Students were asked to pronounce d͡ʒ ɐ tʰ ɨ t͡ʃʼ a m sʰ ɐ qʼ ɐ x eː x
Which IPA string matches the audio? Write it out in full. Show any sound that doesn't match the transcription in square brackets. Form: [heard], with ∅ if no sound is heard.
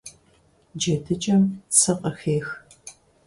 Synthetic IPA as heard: d͡ʒ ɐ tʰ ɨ t͡ʃʼ [ɐ] m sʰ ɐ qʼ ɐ x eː x